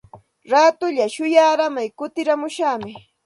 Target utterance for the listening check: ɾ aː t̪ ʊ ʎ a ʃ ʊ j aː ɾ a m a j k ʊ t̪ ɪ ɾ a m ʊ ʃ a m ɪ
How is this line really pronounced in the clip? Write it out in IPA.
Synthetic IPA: ɾ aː t̪ ʊ ʎ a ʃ ʊ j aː ɾ a m a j k ʊ t̪ ɪ ɾ a m ʊ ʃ a m ɪ

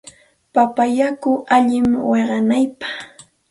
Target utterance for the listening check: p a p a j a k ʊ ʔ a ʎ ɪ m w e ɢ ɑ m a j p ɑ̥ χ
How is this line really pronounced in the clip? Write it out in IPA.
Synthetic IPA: p a p a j a k ʊ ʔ a ʎ ɪ m w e ɢ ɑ n a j p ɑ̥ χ

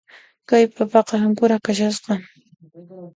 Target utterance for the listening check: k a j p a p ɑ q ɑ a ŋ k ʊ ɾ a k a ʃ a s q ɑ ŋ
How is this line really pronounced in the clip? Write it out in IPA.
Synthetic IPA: k a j p a p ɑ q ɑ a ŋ k ʊ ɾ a k a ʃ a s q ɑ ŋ

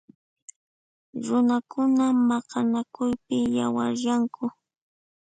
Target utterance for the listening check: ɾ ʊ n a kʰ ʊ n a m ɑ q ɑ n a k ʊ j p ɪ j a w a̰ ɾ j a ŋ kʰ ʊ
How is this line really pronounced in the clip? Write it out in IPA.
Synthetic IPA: ɾ ʊ n a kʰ ʊ n a m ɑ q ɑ n a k ʊ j p ɪ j a w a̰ ɾ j a ŋ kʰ ʊ

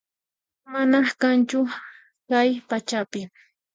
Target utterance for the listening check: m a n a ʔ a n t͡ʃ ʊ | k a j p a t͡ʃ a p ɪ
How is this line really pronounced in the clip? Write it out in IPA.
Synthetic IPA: m a n a k a n t͡ʃ ʊ | k a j p a t͡ʃ a p ɪ

